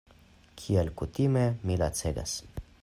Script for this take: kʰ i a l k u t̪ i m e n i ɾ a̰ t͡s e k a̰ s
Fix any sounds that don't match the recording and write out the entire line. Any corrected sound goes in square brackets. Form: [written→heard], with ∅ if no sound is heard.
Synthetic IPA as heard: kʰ i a l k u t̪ i m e [n→m] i [ɾ→l] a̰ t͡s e [k→ɡ] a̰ s